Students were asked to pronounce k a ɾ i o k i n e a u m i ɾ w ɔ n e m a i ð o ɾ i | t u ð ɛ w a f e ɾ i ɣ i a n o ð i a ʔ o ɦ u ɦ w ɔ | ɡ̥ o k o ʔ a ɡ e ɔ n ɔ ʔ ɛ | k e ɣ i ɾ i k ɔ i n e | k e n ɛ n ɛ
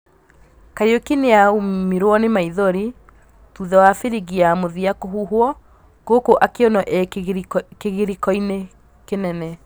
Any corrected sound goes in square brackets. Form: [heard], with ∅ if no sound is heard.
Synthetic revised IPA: k a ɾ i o k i n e a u m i ɾ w ɔ n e m a i ð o ɾ i | t u ð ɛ w a f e ɾ i ɣ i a [m] o ð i a [k] o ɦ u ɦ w ɔ | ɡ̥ o k o ʔ a [k] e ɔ n ɔ ʔ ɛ | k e ɣ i ɾ i k ɔ i n e | k e n ɛ n ɛ